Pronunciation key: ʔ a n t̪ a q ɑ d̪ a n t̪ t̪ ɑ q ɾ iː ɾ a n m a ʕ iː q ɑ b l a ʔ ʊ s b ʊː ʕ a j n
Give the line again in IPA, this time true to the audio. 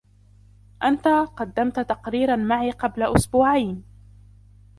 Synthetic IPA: ʔ a n t̪ a q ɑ d̪ː a m t̪ t̪ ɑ q ɾ iː ɾ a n m a ʕ iː q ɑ b l a ʔ ʊ s b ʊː ʕ a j n